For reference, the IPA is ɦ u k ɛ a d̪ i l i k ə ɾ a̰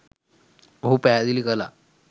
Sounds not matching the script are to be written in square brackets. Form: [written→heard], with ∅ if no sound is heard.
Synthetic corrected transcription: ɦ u [k→p] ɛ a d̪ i l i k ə [ɾ→l] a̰